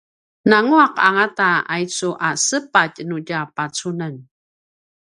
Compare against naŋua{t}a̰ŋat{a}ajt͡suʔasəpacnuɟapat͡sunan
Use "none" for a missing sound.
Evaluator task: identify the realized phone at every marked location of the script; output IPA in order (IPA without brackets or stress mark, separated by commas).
q, a